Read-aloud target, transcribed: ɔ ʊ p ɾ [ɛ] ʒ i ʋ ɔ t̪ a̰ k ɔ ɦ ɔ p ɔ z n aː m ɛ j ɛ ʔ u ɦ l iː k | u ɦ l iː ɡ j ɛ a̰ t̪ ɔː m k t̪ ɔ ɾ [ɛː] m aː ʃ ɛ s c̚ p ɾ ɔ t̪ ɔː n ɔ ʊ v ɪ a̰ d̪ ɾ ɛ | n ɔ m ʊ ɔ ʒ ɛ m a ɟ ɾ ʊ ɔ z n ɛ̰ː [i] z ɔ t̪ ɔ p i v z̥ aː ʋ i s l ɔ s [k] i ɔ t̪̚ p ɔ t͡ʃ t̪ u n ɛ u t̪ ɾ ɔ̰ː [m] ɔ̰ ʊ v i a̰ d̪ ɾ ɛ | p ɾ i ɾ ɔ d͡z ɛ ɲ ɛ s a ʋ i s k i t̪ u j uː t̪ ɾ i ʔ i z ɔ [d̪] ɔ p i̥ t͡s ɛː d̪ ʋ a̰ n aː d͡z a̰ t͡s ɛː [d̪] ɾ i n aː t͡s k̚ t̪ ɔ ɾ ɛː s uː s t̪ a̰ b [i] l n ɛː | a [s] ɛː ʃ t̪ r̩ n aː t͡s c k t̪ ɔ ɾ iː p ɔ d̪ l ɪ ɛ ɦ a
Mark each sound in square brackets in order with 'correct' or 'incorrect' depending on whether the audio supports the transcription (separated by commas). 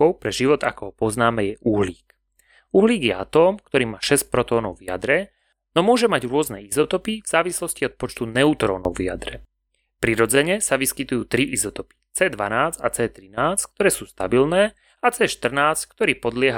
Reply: correct, incorrect, correct, incorrect, incorrect, incorrect, incorrect, correct, incorrect